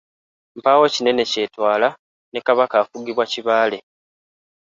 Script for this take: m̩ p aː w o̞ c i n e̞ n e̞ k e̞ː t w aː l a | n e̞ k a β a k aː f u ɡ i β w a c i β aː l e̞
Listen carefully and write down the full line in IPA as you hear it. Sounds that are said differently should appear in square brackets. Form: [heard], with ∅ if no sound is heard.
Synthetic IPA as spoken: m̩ p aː w o̞ c i n e̞ n e̞ [c] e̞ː t w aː l a | n e̞ k a β a k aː f u ɡ i β w a c i β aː l e̞